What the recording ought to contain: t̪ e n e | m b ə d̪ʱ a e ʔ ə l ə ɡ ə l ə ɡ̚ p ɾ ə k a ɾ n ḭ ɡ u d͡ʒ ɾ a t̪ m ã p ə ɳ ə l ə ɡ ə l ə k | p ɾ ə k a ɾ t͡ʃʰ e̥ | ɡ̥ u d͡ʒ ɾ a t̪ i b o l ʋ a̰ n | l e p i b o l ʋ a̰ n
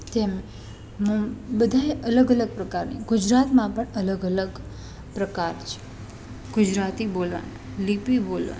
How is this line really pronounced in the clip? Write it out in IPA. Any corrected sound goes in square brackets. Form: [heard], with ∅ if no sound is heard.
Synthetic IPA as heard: t̪ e [m] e | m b ə d̪ʱ a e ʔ ə l ə ɡ ə l ə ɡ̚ p ɾ ə k a ɾ n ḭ ɡ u d͡ʒ ɾ a t̪ m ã p ə ɳ ə l ə ɡ ə l ə [ɡ] | p ɾ ə k a ɾ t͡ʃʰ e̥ | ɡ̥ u d͡ʒ ɾ a t̪ i b o l ʋ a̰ n | l [i] p i b o l ʋ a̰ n